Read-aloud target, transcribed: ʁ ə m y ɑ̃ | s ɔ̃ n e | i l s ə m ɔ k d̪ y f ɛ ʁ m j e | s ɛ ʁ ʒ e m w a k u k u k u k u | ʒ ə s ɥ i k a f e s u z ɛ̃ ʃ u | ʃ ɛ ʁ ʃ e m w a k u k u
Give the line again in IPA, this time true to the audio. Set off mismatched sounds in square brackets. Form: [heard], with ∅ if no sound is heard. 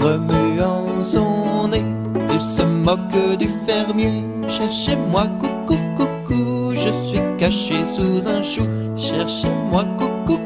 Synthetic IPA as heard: ʁ ə m y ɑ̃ | s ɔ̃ n e | i l s ə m ɔ k d̪ y f ɛ ʁ m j e | [ʃ] ɛ ʁ [ʃ] e m w a k u k u k u k u | ʒ ə s ɥ i k a [ʃ] e s u z ɛ̃ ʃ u | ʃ ɛ ʁ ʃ e m w a k u k u

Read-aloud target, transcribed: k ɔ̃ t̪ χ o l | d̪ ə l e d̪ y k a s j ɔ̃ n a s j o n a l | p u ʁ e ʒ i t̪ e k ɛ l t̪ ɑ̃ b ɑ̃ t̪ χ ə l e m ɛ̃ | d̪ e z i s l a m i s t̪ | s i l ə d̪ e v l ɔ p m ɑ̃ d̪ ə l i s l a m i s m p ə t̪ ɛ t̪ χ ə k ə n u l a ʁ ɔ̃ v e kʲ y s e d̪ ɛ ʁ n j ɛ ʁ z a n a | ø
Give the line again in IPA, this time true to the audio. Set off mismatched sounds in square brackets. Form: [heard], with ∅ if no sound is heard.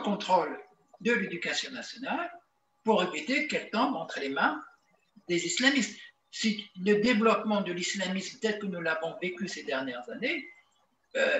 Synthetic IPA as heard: k ɔ̃ t̪ χ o l | d̪ ə l e d̪ y k a s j ɔ̃ n a s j [ɔ] n a l | p u ʁ e [v] i t̪ e k ɛ l t̪ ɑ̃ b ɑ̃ t̪ χ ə l e m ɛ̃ | d̪ e z i s l a m i s t̪ | s i l ə d̪ e v l ɔ p m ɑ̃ d̪ ə l i s l a m i s m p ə t̪ ɛ t̪ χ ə k ə n u l a [v] ɔ̃ v e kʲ y s e d̪ ɛ ʁ n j ɛ ʁ z a n [e] | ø

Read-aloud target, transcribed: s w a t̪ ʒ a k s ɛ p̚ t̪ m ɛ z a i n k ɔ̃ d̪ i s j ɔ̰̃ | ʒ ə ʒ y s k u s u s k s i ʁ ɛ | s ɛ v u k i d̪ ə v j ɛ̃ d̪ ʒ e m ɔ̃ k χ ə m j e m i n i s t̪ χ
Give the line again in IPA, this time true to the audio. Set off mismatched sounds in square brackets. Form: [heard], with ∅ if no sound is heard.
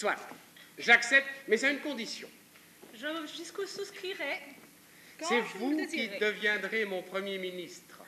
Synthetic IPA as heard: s w a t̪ ʒ a k s ɛ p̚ t̪ m ɛ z a [y] n k ɔ̃ d̪ i s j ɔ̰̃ | ʒ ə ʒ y s k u s u s k [χ] i ʁ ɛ | s ɛ v u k i d̪ ə v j ɛ̃ d̪ [ʁ] e m ɔ̃ [p] χ ə m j e m i n i s t̪ χ

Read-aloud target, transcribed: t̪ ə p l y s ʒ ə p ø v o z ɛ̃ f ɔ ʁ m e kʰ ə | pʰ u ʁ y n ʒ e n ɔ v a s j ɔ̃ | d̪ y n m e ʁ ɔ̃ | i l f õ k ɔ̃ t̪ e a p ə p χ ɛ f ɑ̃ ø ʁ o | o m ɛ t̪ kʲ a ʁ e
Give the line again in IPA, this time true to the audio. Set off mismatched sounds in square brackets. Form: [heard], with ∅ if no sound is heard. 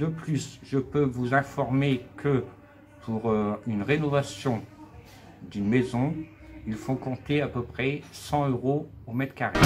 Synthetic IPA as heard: [d̪] ə p l y s ʒ ə p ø v [u] z ɛ̃ f ɔ ʁ m e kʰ ə | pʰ u ʁ y n [ʁ] e n ɔ v a s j ɔ̃ | d̪ y n m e [z] ɔ̃ | i l f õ k ɔ̃ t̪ e a p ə p χ ɛ [s] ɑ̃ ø ʁ o | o m ɛ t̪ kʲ a ʁ e

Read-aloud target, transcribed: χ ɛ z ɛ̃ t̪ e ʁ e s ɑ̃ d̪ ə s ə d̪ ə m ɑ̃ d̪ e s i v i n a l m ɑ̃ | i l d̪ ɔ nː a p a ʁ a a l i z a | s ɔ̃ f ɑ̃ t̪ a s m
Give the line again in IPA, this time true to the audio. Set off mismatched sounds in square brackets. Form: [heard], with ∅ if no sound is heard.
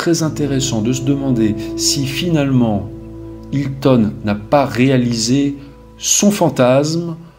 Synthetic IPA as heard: χ ɛ z ɛ̃ t̪ e ʁ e s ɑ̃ d̪ ə s ə d̪ ə m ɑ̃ d̪ e s i [f] i n a l m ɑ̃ | i l [t̪] ɔ nː a p a ʁ [e] a l i z [e] | s ɔ̃ f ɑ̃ t̪ a s m

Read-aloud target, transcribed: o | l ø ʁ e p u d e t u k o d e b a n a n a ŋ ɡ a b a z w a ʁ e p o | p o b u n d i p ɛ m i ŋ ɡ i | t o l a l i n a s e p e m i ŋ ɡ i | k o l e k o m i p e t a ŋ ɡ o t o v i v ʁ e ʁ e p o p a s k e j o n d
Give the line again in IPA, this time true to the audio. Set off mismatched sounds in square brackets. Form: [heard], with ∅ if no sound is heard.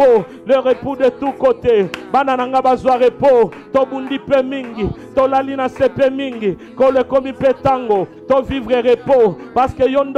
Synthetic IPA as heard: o | l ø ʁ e p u d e t u k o [t] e b a n a n a ŋ ɡ a b a z w a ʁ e p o | [t] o b u n d i p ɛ m i ŋ ɡ i | t o l a l i n a s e p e m i ŋ ɡ i | k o l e k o m i p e t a ŋ ɡ o t o v i v ʁ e ʁ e p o p a s k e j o n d

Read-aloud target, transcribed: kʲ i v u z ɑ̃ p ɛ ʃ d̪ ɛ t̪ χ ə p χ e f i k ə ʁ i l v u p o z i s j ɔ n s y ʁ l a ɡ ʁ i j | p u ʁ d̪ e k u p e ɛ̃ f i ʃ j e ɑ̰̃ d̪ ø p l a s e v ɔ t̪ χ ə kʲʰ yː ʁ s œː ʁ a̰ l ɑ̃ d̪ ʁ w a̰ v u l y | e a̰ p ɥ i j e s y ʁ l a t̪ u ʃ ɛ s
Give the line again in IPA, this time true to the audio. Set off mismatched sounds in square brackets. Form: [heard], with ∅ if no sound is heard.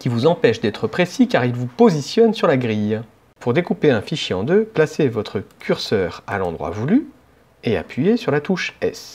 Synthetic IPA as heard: kʲ i v u z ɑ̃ p ɛ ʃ d̪ ɛ t̪ χ ə p χ e [s] i k [a] ʁ i l v u p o z i s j ɔ n s y ʁ l a ɡ ʁ i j | p u ʁ d̪ e k u p e ɛ̃ f i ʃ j e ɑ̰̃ d̪ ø p l a s e v ɔ t̪ χ ə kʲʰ [y] ʁ s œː ʁ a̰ l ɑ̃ d̪ ʁ w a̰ v u l y | e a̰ p ɥ i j e s y ʁ l a t̪ u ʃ ɛ s

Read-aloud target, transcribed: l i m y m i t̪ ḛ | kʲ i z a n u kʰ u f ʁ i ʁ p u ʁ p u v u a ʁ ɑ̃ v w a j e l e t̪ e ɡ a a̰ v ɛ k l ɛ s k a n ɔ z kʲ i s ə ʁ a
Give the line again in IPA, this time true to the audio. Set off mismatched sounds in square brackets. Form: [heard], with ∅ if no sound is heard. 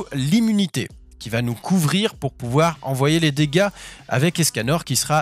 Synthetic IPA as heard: l i m y [n] i t̪ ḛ | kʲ i [v] a n u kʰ u [v] ʁ i ʁ p u ʁ p u v [w] a ʁ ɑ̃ v w a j e l e [d̪] e ɡ a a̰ v ɛ k l ɛ s k a n ɔ [ʁ] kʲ i s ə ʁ a

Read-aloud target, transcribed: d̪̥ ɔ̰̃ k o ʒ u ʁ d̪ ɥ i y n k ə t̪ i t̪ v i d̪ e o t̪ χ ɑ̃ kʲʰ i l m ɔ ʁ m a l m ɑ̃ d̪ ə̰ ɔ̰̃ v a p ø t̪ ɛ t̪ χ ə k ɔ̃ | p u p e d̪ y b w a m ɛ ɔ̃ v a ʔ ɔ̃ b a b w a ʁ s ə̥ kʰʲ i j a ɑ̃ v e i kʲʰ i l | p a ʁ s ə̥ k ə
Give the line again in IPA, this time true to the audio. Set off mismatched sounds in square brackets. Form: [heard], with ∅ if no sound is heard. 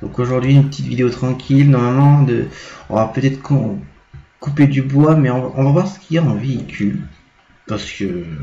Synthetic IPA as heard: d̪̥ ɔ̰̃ k o ʒ u ʁ d̪ ɥ i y n [p] ə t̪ i t̪ v i d̪ e o t̪ χ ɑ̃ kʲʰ i l [n] ɔ ʁ m a l m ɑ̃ d̪ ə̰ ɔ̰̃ v a p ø t̪ ɛ t̪ χ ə k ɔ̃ | [k] u p e d̪ y b w a m ɛ ɔ̃ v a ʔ ɔ̃ [v] a [v] w a ʁ s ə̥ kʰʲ i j a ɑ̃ v e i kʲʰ [y] l | p a ʁ s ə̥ k ə

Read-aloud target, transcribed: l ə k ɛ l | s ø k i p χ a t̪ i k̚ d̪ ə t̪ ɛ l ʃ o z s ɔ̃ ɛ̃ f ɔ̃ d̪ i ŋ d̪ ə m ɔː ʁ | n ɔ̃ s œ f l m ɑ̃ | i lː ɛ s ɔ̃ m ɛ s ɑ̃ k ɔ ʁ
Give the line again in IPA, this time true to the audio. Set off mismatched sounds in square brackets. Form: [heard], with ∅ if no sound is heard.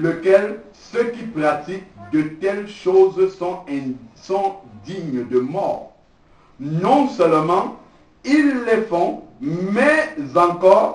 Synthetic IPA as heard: l ə k ɛ l | s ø k i p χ a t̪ i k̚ d̪ ə t̪ ɛ l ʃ o z s ɔ̃ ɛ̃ [s] ɔ̃ d̪ i [ɲ] d̪ ə m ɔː ʁ | n ɔ̃ s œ [∅] l m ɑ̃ | i lː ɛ [f] ɔ̃ m ɛ [z] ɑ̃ k ɔ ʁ

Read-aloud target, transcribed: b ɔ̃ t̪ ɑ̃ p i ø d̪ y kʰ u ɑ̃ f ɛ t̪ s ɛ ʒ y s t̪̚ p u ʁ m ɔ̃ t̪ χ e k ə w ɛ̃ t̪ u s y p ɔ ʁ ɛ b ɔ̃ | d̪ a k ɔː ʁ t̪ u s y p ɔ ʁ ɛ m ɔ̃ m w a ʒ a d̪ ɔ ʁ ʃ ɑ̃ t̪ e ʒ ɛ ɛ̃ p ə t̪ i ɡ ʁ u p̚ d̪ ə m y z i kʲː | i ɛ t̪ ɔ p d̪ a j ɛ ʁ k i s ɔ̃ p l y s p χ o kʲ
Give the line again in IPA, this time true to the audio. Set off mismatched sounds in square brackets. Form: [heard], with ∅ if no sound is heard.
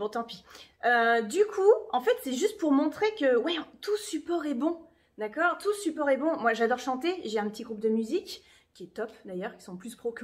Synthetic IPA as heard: b ɔ̃ t̪ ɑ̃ p i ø d̪ y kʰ u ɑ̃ f ɛ t̪ s ɛ ʒ y s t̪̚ p u ʁ m ɔ̃ t̪ χ e k ə w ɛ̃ t̪ u s y p ɔ ʁ ɛ b ɔ̃ | d̪ a k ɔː ʁ t̪ u s y p ɔ ʁ ɛ [b] ɔ̃ m w a ʒ a d̪ ɔ ʁ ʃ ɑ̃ t̪ e ʒ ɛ ɛ̃ p ə t̪ i ɡ ʁ u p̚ d̪ ə m y z i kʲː | i ɛ t̪ ɔ p d̪ a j [œ] ʁ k i s ɔ̃ p l y s p χ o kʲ

